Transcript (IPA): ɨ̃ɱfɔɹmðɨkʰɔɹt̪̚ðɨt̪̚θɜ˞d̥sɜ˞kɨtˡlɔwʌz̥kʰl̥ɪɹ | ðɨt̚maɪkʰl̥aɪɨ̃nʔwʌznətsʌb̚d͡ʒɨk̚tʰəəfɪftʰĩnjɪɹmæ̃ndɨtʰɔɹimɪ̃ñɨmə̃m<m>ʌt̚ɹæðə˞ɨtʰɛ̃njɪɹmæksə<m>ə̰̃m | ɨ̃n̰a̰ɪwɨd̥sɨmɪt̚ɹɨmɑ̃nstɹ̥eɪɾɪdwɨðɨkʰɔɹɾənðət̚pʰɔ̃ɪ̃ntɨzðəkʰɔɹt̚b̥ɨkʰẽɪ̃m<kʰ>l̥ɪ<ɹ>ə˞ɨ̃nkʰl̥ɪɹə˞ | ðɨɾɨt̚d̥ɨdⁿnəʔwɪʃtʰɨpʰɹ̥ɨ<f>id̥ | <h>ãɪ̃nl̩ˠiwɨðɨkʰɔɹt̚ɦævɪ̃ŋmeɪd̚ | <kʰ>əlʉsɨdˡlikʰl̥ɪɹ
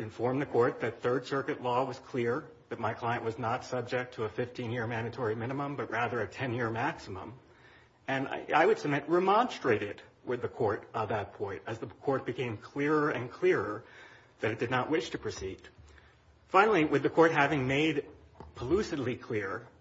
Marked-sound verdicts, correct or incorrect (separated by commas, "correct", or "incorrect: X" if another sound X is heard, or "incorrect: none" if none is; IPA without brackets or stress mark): incorrect: b, correct, correct, correct, incorrect: s, incorrect: f, incorrect: pʰ